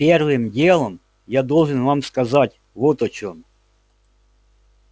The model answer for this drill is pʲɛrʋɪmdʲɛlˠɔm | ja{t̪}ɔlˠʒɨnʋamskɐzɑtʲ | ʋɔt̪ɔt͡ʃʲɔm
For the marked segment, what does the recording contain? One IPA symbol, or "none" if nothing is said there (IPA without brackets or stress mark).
d̪